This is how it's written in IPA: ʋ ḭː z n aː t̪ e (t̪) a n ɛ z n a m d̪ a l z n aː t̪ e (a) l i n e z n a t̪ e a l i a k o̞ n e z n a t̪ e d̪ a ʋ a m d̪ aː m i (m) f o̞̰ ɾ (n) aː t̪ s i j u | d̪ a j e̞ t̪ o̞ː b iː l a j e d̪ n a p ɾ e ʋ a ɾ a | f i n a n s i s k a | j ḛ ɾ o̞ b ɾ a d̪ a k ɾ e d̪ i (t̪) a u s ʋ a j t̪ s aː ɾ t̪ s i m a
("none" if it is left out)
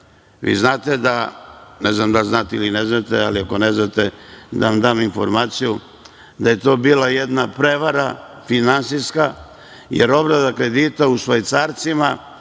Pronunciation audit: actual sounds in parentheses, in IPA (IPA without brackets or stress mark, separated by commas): d̪, i, n, m, t̪